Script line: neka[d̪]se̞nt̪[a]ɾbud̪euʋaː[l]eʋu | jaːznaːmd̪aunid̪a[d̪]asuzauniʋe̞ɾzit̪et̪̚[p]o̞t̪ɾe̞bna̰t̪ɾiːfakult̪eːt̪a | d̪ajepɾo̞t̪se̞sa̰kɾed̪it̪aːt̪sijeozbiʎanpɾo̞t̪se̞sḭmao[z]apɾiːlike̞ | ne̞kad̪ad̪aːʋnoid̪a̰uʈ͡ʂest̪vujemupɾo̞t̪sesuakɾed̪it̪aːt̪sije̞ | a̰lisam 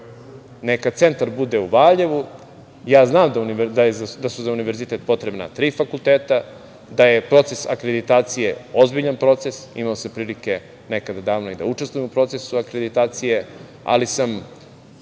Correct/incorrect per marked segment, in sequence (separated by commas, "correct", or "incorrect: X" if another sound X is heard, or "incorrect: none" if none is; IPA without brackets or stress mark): incorrect: t̪, correct, incorrect: ʎ, correct, correct, incorrect: s